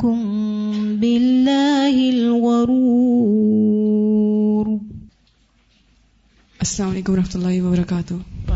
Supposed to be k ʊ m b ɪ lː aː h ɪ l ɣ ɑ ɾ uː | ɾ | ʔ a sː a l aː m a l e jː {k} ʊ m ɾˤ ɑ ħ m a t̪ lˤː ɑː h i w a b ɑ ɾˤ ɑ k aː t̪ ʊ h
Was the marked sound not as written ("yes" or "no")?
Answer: no